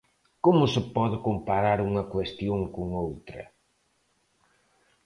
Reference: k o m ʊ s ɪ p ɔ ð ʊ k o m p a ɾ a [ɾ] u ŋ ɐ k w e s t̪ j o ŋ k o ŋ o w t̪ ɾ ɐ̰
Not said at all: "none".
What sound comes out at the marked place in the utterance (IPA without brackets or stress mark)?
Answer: ɾ